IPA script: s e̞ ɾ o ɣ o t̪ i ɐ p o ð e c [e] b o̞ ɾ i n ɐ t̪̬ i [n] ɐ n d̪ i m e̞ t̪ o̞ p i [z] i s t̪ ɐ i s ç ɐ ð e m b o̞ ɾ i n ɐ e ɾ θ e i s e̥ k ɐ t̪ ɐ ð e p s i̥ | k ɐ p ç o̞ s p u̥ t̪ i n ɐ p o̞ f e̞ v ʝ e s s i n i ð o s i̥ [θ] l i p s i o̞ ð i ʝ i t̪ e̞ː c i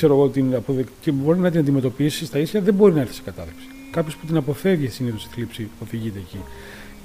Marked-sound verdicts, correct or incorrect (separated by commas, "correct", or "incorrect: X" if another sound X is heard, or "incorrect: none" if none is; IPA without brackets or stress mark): correct, correct, incorrect: s, correct